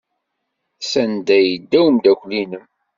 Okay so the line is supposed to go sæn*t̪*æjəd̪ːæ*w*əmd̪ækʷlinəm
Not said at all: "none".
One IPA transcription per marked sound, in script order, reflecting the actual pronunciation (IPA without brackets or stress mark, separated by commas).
d̪, w